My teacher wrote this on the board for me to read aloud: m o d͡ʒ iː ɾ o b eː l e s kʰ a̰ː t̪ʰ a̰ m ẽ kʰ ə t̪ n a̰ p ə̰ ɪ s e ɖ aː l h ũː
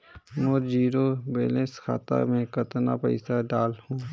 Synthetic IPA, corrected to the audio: m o d͡ʒ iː ɾ o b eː l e s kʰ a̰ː t̪ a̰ m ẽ k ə t̪ n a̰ p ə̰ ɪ s a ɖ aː l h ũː